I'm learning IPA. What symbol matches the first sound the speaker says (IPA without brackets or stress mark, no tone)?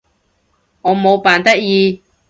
ŋ